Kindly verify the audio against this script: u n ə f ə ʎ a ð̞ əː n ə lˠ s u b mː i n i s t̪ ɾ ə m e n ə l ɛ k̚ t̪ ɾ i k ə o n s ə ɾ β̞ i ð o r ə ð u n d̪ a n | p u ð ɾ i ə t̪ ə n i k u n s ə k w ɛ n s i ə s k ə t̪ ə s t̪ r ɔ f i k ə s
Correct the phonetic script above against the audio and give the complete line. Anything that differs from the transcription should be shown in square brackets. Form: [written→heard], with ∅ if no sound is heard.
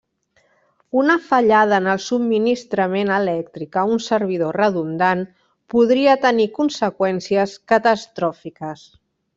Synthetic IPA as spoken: u n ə f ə ʎ a ð̞ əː n ə lˠ s u b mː i n i s t̪ ɾ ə m e n ə l ɛ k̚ t̪ ɾ i k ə [o→u] n s ə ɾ β̞ i ð o r ə ð u n d̪ a n | p u ð ɾ i ə t̪ ə n i k u n s ə k w ɛ n s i ə s k ə t̪ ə s t̪ [r→ɾ] ɔ f i k ə s